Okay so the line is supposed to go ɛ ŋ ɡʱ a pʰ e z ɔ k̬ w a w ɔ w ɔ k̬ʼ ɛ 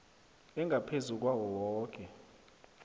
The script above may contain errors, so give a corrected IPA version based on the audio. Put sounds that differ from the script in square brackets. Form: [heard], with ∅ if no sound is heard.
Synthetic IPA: ɛ ŋ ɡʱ a pʰ e z [u] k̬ w a w ɔ w [ɔː] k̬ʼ ɛ

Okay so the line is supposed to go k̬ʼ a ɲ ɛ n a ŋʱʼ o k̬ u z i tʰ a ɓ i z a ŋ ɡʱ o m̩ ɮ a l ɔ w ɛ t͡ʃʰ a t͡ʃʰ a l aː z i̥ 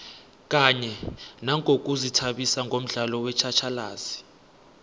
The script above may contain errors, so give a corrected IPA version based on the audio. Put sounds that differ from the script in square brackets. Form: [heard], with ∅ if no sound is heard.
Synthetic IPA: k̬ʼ a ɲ ɛ n a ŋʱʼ o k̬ u z i tʰ a ɓ i [s] a ŋ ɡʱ o m̩ ɮ a l ɔ w ɛ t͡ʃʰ a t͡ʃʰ a l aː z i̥

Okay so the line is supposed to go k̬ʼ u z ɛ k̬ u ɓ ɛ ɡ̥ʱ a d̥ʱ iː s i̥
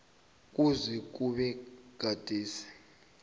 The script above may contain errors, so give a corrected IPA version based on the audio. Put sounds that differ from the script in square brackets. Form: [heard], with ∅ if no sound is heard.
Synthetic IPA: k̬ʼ u z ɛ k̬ u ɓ ɛ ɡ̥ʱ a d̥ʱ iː s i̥

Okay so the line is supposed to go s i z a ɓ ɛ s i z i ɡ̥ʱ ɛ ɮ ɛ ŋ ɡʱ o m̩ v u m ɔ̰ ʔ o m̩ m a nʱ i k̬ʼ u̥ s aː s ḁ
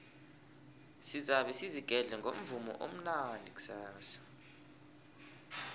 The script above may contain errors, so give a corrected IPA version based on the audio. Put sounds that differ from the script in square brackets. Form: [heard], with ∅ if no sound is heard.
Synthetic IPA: s i z a ɓ ɛ s i z i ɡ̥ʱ ɛ ɮ ɛ ŋ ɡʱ o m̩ v u m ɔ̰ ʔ o m̩ [n] a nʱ i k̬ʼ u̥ s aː s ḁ

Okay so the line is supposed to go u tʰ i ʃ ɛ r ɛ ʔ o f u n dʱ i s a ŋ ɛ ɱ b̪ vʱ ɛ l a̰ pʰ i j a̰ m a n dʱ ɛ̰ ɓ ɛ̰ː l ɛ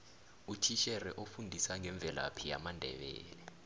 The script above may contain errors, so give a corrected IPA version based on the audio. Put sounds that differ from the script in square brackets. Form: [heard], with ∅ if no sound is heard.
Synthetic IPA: u tʰ i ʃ ɛ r ɛ ʔ o f u n dʱ i s a ŋ ɛ ɱ b̪ vʱ ɛ l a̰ pʰ i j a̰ m a n dʱ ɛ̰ ɓ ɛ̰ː l ɛ

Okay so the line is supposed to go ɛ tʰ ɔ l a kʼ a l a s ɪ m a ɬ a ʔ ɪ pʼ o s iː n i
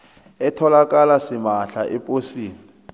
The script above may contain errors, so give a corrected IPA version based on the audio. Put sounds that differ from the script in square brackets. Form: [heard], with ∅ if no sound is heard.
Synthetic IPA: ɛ tʰ ɔ l a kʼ a l a s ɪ m a ɬ a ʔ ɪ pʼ o s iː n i

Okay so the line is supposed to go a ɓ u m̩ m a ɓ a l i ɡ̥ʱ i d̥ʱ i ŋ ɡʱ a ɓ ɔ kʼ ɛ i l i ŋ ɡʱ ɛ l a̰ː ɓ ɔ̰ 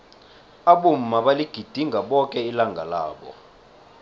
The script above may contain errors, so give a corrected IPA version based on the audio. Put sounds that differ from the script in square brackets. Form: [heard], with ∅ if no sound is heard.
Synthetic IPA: a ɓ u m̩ m a ɓ a l i ɡ̥ʱ i d̥ʱ i ŋ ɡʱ a ɓ ɔ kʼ ɛ i l [a] ŋ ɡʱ [a] l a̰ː ɓ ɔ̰

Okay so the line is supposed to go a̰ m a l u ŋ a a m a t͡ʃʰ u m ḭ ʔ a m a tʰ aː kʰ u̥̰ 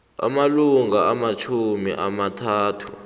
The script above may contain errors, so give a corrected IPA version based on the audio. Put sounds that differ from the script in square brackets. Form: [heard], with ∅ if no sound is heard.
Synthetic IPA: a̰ m a l u ŋ a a m a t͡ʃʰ u m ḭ ʔ a m a tʰ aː [tʰ] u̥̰

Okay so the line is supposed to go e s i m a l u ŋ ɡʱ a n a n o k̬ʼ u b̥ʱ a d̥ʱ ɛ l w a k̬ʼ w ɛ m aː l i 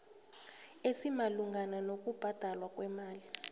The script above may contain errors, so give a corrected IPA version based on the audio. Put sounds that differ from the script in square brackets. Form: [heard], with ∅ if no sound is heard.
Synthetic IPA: e s i m a l u ŋ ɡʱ a n a n o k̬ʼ u b̥ʱ a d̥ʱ [a] l w a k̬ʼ w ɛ m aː l i

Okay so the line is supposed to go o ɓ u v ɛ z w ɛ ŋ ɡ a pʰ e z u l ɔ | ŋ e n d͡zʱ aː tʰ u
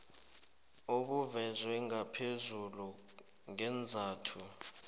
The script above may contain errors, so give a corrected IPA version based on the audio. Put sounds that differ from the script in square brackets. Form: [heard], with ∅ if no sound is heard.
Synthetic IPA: o ɓ u v ɛ z w ɛ ŋ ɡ a pʰ e z u l [u] | ŋ [ɛ] n d͡zʱ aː tʰ u

